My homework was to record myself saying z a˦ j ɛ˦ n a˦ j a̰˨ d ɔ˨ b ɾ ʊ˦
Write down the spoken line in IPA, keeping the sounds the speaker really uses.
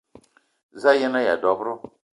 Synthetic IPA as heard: z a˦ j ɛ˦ n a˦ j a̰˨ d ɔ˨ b ɾ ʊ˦